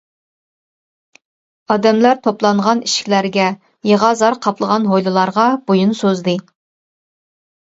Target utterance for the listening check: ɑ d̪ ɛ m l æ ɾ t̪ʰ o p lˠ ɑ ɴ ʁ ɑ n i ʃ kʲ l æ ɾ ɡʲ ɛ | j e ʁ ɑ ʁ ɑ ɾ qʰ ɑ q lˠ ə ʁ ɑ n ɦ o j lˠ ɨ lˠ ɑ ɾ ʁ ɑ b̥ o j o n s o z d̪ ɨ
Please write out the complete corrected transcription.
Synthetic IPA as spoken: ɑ d̪ ɛ m l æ ɾ t̪ʰ o p lˠ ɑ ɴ ʁ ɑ n i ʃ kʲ l æ ɾ ɡʲ ɛ | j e ʁ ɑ z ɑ ɾ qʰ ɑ p lˠ ə ʁ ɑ n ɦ o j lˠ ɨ lˠ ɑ ɾ ʁ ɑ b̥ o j u n s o z d̪ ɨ

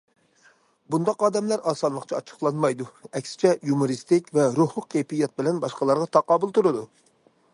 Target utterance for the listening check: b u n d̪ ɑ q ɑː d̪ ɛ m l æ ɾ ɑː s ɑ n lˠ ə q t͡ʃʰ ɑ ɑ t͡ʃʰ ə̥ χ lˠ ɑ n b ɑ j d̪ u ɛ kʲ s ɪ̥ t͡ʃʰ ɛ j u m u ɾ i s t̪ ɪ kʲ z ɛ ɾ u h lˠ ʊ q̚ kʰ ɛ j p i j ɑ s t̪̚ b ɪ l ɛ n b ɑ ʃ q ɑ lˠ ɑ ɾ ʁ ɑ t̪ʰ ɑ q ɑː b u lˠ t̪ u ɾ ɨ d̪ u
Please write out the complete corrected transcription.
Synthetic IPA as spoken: b u n d̪ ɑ q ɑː d̪ ɛ m l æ ɾ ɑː s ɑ n lˠ ə q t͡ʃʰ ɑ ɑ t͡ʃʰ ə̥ χ lˠ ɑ n m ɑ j d̪ u ɛ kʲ s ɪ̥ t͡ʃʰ ɛ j u m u ɾ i s t̪ ɪ kʲ v ɛ ɾ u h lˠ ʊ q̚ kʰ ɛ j p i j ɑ t̪̚ b ɪ l ɛ n b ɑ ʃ q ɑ lˠ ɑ ɾ ʁ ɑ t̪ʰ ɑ q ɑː b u lˠ t̪ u ɾ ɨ d̪ u

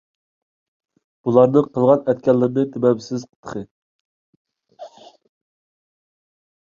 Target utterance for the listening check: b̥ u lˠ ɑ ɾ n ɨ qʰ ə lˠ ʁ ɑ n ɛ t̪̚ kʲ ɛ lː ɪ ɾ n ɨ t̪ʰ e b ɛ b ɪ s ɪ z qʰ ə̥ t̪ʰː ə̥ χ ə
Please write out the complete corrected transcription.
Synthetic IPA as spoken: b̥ u lˠ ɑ ɾ n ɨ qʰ ə lˠ ʁ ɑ n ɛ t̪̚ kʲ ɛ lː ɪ ɾ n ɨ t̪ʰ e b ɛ b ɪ s ɪ z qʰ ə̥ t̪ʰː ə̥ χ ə

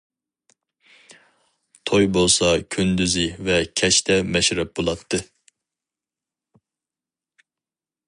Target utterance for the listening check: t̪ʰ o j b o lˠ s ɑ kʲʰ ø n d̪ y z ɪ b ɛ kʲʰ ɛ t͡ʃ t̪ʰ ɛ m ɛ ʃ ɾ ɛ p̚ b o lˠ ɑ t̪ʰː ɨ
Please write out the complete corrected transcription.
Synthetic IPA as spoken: t̪ʰ o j b o lˠ s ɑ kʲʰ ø n d̪ y z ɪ v ɛ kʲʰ ɛ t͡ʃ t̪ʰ ɛ m ɛ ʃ ɾ ɛ p̚ b o lˠ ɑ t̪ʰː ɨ

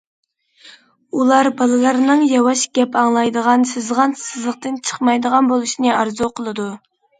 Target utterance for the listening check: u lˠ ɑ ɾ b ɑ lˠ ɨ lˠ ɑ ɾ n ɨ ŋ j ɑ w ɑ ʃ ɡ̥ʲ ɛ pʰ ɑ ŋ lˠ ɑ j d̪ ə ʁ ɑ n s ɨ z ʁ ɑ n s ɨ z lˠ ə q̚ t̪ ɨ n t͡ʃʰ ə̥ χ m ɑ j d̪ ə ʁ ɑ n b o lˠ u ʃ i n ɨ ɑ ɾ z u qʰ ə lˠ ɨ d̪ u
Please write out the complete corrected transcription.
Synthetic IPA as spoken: u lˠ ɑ ɾ b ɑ lˠ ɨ lˠ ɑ ɾ n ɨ ŋ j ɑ w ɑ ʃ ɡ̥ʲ ɛ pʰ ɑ ŋ lˠ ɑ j d̪ ə ʁ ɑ n s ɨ z ʁ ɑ n s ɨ z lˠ ə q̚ t̪ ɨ n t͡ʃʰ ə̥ χ m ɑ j d̪ ə ʁ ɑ n b o lˠ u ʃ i n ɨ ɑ ɾ z u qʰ ə lˠ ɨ d̪ u

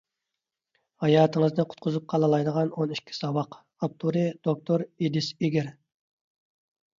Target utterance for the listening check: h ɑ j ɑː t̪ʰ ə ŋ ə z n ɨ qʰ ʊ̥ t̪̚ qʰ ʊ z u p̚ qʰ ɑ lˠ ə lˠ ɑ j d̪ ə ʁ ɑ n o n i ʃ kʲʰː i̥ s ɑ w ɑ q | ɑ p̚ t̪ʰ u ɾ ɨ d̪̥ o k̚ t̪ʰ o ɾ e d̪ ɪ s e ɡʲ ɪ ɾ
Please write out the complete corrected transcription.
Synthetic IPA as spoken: h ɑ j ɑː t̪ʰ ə ŋ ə z n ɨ qʰ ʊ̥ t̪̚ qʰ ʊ z u p̚ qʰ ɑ lˠ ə lˠ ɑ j d̪ ə ʁ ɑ n o n i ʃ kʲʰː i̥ s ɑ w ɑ q | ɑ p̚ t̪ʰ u ɾ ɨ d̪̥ o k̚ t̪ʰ o ɾ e d̪ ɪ s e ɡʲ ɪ ɾ

